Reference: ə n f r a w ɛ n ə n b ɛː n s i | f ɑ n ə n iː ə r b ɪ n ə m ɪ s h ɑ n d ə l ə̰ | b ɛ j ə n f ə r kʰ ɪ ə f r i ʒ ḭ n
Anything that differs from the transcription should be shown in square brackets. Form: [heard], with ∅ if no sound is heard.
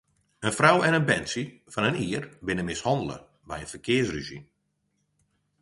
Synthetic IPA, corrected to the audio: ə n f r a w ɛ n ə n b [ɛ] n s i | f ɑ n ə n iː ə r b ɪ n ə m ɪ s h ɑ n d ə l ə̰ | b ɛ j ə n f ə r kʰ ɪ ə [s] r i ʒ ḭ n